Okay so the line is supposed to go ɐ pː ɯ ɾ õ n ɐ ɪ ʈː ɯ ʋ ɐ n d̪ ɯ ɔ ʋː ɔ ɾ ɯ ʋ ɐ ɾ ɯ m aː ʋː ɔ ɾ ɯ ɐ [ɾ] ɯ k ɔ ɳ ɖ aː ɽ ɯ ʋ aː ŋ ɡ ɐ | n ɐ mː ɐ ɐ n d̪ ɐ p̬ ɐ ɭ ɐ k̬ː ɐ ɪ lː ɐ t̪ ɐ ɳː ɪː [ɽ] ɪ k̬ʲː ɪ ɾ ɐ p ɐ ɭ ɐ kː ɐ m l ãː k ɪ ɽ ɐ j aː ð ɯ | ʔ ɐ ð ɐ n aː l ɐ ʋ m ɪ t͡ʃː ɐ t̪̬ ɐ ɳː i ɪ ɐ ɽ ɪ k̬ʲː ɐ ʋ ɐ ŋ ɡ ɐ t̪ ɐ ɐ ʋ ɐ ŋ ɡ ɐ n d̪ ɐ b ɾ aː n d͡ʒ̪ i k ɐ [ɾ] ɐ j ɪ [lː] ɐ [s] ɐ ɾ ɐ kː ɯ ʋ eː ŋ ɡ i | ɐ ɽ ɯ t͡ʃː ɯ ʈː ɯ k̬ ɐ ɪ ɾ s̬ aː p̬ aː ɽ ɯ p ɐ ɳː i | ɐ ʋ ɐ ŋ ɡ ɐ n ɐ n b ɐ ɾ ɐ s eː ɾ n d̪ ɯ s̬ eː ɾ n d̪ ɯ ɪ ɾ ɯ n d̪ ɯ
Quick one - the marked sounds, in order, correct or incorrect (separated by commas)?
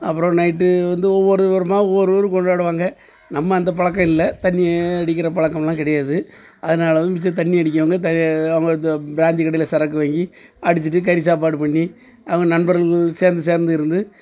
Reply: correct, correct, incorrect, incorrect, correct